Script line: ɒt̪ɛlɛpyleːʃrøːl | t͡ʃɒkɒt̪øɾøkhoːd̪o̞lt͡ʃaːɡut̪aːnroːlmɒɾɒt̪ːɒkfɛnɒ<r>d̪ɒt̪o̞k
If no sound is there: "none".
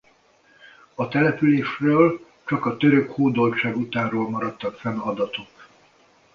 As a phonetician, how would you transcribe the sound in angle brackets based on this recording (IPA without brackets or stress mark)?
none